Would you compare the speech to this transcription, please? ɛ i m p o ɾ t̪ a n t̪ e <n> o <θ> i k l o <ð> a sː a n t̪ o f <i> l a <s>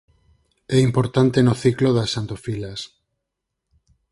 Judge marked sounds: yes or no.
yes, yes, yes, yes, yes

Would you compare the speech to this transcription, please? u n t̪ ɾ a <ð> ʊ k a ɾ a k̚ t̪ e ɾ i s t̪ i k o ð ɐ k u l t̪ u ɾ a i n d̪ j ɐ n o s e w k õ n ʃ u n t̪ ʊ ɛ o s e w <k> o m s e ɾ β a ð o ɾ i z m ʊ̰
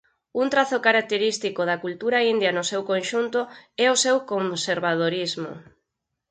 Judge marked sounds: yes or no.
no, yes

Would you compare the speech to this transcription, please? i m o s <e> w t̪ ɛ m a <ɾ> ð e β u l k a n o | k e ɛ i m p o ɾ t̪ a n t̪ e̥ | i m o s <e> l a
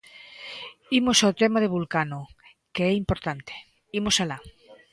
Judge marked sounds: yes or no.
no, no, no

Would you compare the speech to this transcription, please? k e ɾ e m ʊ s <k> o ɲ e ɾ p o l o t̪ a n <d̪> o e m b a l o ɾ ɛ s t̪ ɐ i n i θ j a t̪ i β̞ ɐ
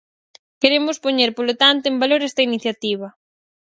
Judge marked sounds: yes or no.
no, no

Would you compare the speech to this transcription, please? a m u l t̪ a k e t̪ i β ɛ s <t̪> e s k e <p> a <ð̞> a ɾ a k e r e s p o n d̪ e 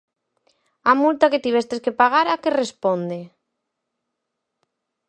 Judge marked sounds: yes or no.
yes, yes, no

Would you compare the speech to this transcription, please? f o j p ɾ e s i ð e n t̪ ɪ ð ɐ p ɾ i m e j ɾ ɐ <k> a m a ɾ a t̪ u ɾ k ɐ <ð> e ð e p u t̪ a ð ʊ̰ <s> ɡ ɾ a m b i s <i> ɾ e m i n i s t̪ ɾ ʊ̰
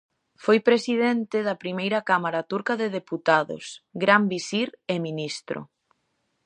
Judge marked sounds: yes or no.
yes, yes, yes, yes

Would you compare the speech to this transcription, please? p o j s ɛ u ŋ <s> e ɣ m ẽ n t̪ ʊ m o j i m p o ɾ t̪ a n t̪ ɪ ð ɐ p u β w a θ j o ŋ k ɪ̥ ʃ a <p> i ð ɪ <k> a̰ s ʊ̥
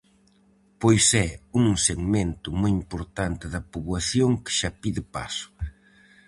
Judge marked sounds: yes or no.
yes, yes, no

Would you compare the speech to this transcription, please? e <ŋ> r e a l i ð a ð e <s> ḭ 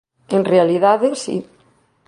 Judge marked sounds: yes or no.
no, yes

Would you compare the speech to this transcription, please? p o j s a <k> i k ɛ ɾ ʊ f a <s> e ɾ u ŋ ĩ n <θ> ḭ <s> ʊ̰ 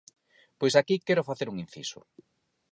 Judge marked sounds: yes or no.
yes, no, yes, yes

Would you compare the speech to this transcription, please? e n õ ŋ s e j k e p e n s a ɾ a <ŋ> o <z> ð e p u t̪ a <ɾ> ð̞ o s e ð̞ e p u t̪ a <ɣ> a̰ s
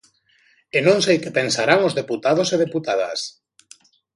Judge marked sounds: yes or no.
yes, yes, no, no

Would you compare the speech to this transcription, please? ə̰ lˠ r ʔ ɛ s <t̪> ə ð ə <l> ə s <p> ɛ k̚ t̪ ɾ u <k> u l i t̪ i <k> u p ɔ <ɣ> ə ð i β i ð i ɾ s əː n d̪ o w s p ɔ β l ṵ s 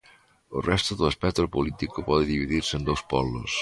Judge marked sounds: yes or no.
yes, yes, yes, no, yes, no

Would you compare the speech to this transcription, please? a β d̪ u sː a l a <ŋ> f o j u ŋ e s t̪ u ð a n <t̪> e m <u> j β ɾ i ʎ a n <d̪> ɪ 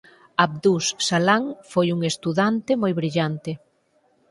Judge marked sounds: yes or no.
yes, yes, no, no

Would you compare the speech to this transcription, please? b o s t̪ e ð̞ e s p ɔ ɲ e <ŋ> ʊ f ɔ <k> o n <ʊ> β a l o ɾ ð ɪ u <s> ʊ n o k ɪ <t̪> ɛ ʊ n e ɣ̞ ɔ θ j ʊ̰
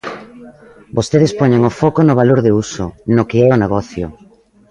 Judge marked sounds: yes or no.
yes, yes, yes, yes, no

